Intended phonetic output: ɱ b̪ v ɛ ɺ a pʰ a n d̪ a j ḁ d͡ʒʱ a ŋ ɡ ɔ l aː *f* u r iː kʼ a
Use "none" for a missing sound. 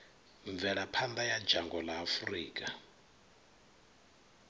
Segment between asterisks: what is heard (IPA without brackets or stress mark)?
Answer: f